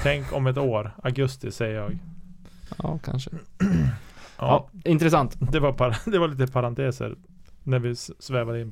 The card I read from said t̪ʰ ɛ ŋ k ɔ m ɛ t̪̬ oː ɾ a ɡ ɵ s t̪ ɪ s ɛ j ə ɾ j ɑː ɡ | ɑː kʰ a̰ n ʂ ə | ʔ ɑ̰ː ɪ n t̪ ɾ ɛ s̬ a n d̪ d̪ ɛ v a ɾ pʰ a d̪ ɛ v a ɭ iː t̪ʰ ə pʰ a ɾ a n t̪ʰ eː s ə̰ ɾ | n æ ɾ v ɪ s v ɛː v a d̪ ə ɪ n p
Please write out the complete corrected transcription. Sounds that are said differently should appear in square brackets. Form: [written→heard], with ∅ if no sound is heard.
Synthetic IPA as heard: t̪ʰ ɛ ŋ k ɔ m ɛ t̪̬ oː ɾ a ɡ ɵ s t̪ ɪ s ɛ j ə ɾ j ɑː ɡ | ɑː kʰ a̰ n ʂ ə | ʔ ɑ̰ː ɪ n t̪ ɾ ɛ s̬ a n [d̪→t̪] d̪ ɛ v a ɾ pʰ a d̪ ɛ v a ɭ iː [t̪ʰ→t̪] ə pʰ a ɾ a n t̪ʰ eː s ə̰ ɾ | n æ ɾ v ɪ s v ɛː v a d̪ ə ɪ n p